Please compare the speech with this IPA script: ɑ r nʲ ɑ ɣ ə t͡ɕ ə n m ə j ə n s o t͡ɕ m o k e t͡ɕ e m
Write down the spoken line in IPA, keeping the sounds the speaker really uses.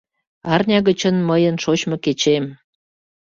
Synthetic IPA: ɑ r nʲ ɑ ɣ ə t͡ɕ ə n m ə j ə n ʃ o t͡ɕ m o k e t͡ɕ e m